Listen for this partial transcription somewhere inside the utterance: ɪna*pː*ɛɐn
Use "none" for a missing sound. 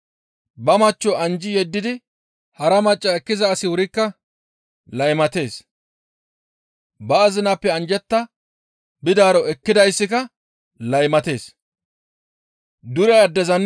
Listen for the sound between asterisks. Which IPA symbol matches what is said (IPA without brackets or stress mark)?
pː